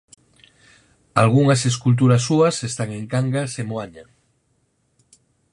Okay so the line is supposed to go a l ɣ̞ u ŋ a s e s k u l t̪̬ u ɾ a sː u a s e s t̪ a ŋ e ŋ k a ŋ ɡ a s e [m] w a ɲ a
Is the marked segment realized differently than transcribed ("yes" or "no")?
no